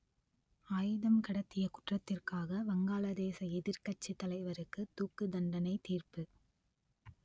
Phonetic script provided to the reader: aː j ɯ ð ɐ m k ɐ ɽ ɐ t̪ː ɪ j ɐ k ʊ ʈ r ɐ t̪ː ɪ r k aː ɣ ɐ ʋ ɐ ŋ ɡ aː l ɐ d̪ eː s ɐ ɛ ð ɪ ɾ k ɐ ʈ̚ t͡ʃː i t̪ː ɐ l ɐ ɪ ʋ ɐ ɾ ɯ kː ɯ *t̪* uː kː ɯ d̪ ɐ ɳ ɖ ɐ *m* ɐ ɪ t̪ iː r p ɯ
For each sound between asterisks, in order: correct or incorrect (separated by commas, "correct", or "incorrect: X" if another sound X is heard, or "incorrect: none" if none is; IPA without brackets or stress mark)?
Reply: correct, incorrect: n